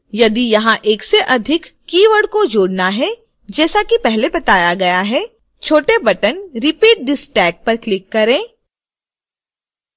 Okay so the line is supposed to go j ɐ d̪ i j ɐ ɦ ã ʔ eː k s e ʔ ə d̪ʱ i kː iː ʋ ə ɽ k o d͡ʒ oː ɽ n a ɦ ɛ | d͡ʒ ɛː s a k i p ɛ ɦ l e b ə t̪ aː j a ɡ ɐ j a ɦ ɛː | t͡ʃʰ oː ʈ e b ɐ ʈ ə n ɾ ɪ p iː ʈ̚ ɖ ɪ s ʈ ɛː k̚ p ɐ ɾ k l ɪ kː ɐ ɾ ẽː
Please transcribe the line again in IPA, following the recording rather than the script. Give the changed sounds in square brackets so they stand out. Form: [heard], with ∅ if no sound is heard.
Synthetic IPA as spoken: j ɐ d̪ i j ɐ ɦ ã ʔ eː k s e ʔ [ɐ] d̪ʱ [ɪ] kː iː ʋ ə ɽ k o d͡ʒ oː ɽ n a ɦ ɛ | d͡ʒ ɛː s a k i p ɛ ɦ l e b [ɐ] t̪ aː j a ɡ ɐ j a ɦ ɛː | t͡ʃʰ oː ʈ e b ɐ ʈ ə n ɾ ɪ p iː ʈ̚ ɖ ɪ s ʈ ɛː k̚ p ɐ ɾ k l ɪ kː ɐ ɾ ẽː